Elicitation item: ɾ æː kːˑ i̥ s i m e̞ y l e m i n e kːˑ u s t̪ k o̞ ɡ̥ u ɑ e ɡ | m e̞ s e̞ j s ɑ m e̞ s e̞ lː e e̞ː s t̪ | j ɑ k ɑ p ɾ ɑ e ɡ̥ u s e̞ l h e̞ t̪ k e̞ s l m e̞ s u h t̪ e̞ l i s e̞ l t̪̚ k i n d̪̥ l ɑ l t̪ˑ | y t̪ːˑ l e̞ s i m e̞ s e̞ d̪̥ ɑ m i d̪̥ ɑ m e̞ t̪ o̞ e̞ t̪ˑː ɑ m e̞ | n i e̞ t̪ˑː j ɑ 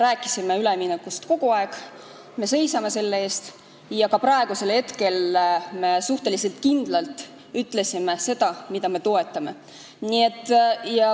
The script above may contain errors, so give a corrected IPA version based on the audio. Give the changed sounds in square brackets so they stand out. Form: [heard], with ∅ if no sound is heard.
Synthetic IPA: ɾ æː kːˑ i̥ s i m e̞ y l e m i n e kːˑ u s t̪ k o̞ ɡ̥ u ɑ e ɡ | m e̞ s e̞ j s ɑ m e̞ s e̞ lː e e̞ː s t̪ | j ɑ k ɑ p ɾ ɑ e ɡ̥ u s e̞ l h e̞ t̪ k e̞ [∅] l m e̞ s u h t̪ e̞ l i s e̞ l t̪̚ k i n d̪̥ l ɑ l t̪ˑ | y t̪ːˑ l e̞ s i m e̞ s e̞ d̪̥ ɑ m i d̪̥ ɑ m e̞ t̪ o̞ e̞ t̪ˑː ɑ m e̞ | n i e̞ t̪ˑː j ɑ